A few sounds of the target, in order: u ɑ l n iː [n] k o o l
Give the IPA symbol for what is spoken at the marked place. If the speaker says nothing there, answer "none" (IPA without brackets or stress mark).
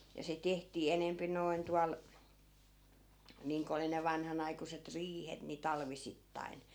ŋ